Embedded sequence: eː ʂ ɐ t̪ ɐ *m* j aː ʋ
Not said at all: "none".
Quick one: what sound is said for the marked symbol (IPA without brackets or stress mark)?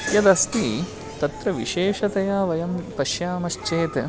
none